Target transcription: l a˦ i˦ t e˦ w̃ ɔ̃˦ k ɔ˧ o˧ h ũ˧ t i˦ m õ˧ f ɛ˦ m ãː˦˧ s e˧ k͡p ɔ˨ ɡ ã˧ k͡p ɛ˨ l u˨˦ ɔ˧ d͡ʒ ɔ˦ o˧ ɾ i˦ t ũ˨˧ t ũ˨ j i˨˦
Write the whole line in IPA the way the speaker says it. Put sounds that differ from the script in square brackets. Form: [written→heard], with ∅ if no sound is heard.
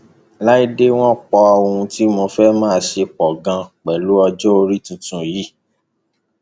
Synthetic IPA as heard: l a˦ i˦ [t→d] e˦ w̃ ɔ̃˦ [k→k͡p] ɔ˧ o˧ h ũ˧ t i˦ m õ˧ f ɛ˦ m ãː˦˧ [s→ʃ] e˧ k͡p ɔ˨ ɡ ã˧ k͡p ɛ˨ l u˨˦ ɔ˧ d͡ʒ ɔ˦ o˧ ɾ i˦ t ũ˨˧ t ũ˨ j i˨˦